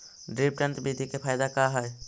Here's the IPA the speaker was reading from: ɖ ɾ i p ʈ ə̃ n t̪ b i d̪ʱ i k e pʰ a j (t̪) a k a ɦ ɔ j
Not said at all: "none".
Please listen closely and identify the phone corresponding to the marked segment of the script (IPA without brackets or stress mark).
d̪